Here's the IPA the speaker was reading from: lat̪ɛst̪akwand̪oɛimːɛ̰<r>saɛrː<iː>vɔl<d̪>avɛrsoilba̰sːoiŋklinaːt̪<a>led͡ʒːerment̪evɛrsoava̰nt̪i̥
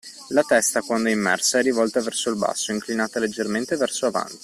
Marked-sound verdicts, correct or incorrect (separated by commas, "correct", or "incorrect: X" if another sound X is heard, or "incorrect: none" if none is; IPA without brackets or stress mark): correct, incorrect: i, incorrect: t̪, correct